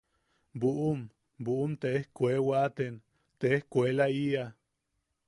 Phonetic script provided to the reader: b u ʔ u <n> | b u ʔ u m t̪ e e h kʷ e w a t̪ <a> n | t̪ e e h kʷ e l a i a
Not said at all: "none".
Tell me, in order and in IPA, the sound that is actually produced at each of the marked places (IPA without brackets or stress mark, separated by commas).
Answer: m, e